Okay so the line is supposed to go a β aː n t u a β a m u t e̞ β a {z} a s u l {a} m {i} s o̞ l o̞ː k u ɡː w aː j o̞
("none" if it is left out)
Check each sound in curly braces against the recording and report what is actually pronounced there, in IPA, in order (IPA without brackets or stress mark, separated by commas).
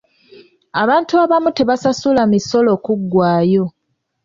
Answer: s, a, i